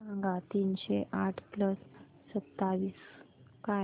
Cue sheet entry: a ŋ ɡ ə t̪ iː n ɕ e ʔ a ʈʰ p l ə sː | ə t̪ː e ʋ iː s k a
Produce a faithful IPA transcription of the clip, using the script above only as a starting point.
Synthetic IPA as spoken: a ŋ ɡ a t̪ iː n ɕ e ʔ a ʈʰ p l ə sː | ə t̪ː a ʋ iː s k a